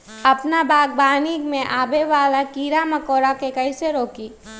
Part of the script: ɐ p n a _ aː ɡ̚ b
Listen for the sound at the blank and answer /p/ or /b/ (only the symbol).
b